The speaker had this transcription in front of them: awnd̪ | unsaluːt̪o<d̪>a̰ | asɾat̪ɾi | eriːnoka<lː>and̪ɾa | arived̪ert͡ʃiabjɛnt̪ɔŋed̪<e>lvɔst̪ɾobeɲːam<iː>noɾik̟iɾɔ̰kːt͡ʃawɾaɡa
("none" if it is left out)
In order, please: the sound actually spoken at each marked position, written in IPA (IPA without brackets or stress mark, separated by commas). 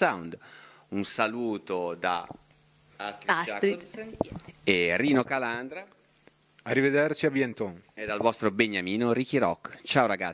d̪, l, a, iː